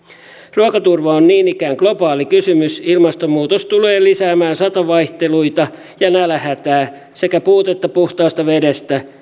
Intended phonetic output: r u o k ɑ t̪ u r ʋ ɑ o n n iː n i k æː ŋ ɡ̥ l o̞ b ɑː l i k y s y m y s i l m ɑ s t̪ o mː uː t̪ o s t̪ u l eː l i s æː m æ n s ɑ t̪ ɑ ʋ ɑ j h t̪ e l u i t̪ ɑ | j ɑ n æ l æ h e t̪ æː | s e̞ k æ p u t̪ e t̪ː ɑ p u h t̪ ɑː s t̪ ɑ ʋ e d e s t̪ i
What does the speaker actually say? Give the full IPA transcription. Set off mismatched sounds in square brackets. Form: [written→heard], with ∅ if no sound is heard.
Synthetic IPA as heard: r u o k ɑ t̪ u r ʋ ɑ o n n iː n i k æː ŋ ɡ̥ l o̞ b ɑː l i k y s y m y s i l m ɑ s t̪ o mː uː t̪ o s t̪ u l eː l i s æː m [æ→æː] n s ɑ t̪ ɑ ʋ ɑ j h t̪ e l u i t̪ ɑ | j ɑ n æ l æ h [e→æ] t̪ æː | s e̞ k æ p [u→uː] t̪ e t̪ː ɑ p u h t̪ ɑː s t̪ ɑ ʋ e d e s t̪ [i→æ]

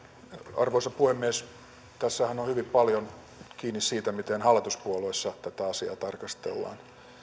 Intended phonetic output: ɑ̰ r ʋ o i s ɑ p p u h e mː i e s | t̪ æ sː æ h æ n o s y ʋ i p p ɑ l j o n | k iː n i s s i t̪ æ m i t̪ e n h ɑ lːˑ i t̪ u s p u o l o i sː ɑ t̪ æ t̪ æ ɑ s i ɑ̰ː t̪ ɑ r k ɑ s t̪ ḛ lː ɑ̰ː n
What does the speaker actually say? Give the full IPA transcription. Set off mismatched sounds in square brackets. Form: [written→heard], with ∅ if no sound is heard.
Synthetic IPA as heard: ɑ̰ r ʋ o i s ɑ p p u h e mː i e s | t̪ æ sː æ h æ n o [s→h] y ʋ i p p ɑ l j o n | k iː n i s s [i→iː] t̪ æ m i t̪ e n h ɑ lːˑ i t̪ u s p u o l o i sː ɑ t̪ æ t̪ æ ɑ s i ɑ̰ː t̪ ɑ r k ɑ s t̪ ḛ lː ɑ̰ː n

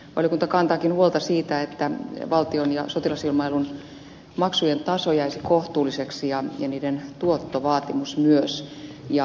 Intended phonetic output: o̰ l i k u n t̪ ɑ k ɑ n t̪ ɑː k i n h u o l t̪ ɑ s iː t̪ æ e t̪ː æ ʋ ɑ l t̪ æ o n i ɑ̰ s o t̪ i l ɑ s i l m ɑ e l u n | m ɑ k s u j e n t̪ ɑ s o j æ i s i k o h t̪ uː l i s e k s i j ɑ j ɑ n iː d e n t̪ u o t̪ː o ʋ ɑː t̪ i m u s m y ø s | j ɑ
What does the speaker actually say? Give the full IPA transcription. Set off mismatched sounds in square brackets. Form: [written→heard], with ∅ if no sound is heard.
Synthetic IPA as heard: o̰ l i k u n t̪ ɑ k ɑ n t̪ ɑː k i n h u o l t̪ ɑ s iː t̪ æ e t̪ː æ ʋ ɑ l t̪ [æ→i] o n [i→j] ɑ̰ s o t̪ i l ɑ s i l m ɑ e l u n | m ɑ k s u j e n t̪ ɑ s o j æ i s i k o h t̪ uː l i s e k s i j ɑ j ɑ n iː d e n t̪ u o t̪ː o ʋ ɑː t̪ i m u s m y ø s | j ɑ

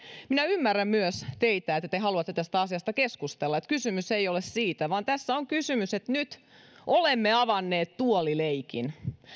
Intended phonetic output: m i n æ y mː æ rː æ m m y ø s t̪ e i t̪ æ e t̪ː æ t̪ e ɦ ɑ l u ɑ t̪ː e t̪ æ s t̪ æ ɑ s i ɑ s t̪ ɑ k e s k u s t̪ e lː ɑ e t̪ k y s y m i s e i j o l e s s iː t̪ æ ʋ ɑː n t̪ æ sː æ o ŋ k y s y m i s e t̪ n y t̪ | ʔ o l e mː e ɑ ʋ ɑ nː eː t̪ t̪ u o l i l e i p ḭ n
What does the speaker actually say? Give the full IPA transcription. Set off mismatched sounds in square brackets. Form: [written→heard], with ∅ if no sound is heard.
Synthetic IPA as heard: m i n æ y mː æ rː æ m m y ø s t̪ e i t̪ æ e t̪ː æ t̪ e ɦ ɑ l u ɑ t̪ː e t̪ æ s t̪ æ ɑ s i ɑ s t̪ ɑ k e s k u s t̪ e lː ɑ e t̪ k y s y m [i→y] s e i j o l e s s iː t̪ æ ʋ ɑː n t̪ æ sː æ o ŋ k y s y m [i→y] s e t̪ n y t̪ | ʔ o l e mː e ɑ ʋ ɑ nː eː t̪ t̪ u o l i l e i [p→k] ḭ n

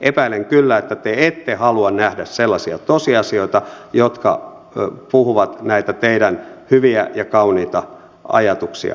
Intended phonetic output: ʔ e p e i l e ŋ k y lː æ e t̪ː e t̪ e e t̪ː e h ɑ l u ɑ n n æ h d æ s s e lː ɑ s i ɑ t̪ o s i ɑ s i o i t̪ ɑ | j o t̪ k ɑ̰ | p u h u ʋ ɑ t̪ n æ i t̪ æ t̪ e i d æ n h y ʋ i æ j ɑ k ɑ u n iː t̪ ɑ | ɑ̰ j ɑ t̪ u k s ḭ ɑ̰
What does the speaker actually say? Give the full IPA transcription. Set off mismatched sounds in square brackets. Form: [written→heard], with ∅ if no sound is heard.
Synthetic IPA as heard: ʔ e p [e→æ] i l e ŋ k y lː æ e t̪ː [e→æ] t̪ e e t̪ː e h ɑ l u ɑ n n æ h d æ s s e lː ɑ s i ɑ t̪ o s i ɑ s i o i t̪ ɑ | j o t̪ k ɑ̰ | p u h u ʋ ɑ t̪ n æ i t̪ æ t̪ e i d æ n h y ʋ i æ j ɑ k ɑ u n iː t̪ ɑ | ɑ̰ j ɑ t̪ u k s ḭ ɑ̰

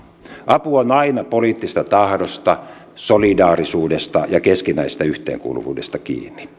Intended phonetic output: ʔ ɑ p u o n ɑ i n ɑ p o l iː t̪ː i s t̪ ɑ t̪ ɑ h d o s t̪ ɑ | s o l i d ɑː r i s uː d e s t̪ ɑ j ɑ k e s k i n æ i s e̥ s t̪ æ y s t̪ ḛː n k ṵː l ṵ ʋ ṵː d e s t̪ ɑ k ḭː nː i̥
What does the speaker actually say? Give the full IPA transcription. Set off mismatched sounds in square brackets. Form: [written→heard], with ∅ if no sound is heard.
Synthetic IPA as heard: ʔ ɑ p u o n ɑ i n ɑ p o l iː t̪ː i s t̪ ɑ t̪ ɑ h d o s t̪ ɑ | s o l i d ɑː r i s uː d e s t̪ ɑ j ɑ k e s k i n æ i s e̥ s t̪ æ y [s→h] t̪ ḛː [n→ŋ] k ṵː l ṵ ʋ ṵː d e s t̪ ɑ k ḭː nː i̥

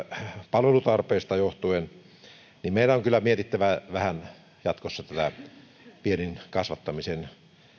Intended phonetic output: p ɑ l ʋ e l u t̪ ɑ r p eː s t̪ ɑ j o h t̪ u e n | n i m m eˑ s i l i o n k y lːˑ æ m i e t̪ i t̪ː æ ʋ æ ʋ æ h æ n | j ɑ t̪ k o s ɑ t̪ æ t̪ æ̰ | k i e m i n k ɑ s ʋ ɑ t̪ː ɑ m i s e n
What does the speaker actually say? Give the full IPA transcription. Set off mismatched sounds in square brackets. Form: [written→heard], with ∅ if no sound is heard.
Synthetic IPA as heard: p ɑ l ʋ e l u t̪ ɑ r p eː s t̪ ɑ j o h t̪ u e n | n i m m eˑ [s→∅] i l [i→æ] o [n→ŋ] k y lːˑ æ m i e t̪ i t̪ː æ ʋ æ ʋ æ h æ n | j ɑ t̪ k o [s→sː] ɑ t̪ æ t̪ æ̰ | [k→p] i e [m→n] i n k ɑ s ʋ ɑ t̪ː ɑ m i s e n

